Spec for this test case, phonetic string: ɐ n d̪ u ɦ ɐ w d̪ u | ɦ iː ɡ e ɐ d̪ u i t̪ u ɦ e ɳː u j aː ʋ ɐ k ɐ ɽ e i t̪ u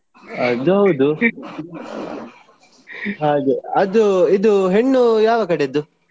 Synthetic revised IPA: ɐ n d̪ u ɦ ɐ w d̪ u | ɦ aː ɡ e ɐ d̪ u i d̪ u ɦ e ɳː u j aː ʋ ɐ k ɐ ɽ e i d̪ u